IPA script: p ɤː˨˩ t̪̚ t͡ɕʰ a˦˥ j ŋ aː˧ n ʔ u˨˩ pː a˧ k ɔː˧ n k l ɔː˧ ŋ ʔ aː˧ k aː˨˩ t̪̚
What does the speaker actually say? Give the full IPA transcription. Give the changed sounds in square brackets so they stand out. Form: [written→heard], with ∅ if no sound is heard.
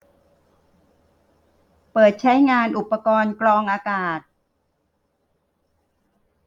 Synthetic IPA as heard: p ɤː˨˩ t̪̚ t͡ɕʰ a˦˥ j ŋ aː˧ n ʔ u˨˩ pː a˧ k ɔː˧ n k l ɔː˧ ŋ ʔ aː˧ k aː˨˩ t̪̚